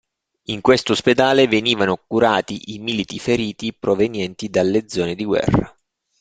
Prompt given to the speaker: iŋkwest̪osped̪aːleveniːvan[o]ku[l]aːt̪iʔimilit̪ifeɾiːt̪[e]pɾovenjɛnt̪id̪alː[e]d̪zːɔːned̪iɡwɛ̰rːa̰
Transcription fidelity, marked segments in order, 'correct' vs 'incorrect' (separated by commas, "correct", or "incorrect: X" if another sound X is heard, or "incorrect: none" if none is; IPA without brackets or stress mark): correct, incorrect: ɾ, incorrect: i, correct